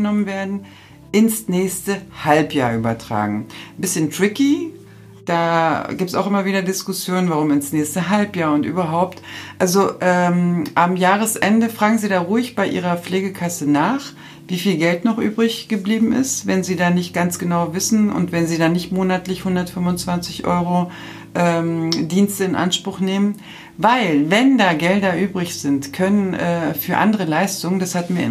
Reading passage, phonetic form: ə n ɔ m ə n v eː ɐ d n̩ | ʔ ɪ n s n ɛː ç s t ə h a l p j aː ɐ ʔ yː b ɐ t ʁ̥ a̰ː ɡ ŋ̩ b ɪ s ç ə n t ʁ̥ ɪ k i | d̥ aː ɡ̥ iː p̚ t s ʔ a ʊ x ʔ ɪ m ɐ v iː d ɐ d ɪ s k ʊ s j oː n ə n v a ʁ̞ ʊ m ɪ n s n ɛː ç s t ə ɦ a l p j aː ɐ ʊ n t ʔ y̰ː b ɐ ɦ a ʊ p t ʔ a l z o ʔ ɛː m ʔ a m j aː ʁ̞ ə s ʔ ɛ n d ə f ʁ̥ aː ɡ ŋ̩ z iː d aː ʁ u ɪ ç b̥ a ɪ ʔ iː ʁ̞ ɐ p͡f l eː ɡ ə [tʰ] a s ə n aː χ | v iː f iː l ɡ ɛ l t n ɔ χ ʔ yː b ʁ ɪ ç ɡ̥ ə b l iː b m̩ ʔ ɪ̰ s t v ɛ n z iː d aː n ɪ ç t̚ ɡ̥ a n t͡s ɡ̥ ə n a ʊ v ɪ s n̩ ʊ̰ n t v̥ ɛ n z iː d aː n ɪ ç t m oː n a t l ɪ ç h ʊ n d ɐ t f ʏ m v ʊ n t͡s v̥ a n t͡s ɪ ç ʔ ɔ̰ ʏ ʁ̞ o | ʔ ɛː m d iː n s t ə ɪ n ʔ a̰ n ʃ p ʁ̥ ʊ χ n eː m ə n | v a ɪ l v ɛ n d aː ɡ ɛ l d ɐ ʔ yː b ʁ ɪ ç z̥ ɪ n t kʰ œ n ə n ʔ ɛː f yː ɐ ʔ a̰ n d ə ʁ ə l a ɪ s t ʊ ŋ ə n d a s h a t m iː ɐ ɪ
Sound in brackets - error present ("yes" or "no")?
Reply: yes